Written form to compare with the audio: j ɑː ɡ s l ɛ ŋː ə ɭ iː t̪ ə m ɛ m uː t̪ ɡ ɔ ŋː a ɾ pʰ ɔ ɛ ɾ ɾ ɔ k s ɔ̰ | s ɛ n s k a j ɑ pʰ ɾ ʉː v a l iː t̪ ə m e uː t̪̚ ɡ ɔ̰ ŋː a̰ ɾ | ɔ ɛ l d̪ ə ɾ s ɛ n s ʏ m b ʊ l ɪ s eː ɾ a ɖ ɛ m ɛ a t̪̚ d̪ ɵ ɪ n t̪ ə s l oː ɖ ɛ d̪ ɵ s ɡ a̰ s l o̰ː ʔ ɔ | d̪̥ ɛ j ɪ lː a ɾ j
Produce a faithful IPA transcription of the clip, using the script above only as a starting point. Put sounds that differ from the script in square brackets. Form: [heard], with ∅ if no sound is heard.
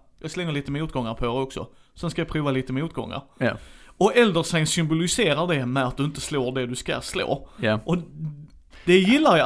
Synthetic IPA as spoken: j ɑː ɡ s l ɛ ŋː ə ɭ iː t̪ ə m ɛ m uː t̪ ɡ ɔ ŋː a ɾ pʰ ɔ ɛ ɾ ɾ ɔ k s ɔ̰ | s ɛ n s k a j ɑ pʰ ɾ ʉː v a l iː t̪ ə m [ɛ] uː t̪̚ ɡ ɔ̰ ŋː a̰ ɾ | ɔ ɛ l d̪ ə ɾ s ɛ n s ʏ m b ʊ l ɪ s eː ɾ a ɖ ɛ m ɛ a t̪̚ d̪ ɵ ɪ n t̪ ə s l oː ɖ ɛ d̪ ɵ s [k] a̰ s l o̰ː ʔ ɔ | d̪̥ ɛ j ɪ lː a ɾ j